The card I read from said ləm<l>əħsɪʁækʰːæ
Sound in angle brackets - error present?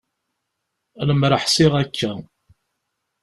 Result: yes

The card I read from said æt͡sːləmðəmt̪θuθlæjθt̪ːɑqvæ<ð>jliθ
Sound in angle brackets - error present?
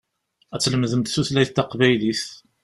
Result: yes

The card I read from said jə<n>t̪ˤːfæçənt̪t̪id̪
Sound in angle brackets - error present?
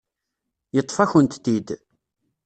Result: yes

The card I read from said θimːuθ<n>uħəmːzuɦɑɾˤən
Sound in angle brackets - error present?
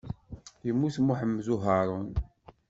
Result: yes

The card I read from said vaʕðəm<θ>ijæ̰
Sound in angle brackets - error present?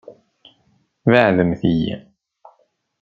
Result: no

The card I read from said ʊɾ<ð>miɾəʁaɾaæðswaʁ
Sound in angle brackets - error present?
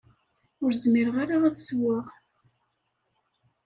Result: yes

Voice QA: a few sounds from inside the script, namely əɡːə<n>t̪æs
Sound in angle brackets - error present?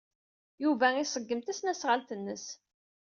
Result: yes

